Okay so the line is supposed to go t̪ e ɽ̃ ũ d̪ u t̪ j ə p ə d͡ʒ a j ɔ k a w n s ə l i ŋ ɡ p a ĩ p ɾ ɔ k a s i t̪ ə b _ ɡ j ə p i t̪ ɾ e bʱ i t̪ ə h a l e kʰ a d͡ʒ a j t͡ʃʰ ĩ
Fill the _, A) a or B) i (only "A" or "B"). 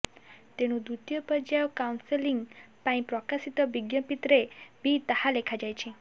B